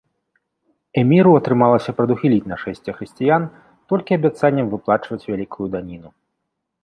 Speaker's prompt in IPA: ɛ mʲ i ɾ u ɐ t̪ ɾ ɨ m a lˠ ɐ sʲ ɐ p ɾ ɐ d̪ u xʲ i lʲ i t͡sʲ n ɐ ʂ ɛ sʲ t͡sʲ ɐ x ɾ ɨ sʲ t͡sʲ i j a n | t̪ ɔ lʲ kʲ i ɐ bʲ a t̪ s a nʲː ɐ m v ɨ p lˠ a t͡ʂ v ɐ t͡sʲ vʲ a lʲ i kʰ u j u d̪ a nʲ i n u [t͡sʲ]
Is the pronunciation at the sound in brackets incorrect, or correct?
incorrect